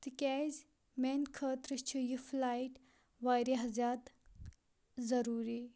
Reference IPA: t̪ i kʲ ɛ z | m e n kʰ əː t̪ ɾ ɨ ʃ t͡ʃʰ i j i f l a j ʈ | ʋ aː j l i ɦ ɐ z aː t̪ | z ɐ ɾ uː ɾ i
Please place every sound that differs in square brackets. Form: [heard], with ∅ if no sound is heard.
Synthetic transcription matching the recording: t̪ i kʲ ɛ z | m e n kʰ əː t̪ ɾ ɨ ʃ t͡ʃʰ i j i f l a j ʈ | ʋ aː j [ɾ] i ɦ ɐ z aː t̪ | z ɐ ɾ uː ɾ i